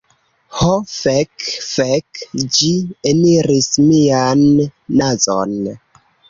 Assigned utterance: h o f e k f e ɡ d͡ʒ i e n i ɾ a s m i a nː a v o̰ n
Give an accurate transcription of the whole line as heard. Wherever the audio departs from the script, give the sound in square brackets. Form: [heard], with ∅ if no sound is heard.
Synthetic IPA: h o f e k f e [k] d͡ʒ i e n i ɾ [i] s m i a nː a [z] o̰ n